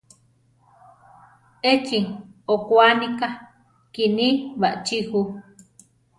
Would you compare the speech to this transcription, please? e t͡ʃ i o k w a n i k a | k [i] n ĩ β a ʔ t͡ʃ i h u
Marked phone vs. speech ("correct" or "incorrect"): correct